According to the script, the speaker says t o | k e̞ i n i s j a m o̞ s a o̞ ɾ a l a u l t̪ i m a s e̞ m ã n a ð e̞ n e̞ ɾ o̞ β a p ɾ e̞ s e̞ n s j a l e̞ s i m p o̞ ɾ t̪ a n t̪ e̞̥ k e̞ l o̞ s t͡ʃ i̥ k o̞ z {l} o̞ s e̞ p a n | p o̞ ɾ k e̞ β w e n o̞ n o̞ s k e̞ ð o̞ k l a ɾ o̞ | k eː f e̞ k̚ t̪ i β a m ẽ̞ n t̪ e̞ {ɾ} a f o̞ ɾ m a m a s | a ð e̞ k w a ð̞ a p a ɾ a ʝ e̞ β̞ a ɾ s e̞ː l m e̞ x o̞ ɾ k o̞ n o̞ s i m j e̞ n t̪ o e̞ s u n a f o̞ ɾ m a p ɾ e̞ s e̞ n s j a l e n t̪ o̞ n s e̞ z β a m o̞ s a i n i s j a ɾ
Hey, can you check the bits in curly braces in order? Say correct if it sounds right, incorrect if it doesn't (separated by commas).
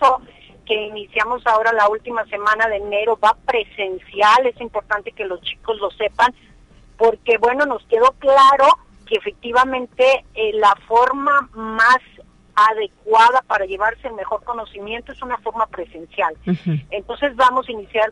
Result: correct, incorrect